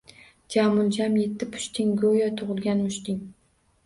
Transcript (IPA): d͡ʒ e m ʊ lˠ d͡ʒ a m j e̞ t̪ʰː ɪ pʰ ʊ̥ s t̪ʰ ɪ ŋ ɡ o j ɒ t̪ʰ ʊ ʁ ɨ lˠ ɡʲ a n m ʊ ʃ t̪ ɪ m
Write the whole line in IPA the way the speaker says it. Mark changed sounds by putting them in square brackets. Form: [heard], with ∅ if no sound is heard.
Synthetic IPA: d͡ʒ [a] m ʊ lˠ d͡ʒ a m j e̞ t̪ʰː ɪ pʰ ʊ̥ [ʃ] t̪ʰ ɪ ŋ ɡ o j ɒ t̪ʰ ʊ ʁ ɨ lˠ ɡʲ a n m ʊ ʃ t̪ ɪ [ŋ]